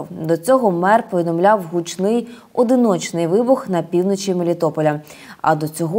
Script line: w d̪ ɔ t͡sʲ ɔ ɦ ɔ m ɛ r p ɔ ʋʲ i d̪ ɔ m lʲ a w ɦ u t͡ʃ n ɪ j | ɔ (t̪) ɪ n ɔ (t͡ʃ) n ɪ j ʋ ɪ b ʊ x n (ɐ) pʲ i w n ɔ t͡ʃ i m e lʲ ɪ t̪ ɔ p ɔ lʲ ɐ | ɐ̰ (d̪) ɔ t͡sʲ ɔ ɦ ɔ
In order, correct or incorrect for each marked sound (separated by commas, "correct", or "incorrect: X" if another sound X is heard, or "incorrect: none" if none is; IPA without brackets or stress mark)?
incorrect: d̪, correct, correct, correct